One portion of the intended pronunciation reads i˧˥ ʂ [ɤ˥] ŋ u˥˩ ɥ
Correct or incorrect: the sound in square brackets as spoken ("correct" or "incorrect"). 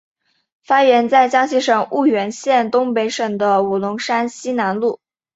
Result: incorrect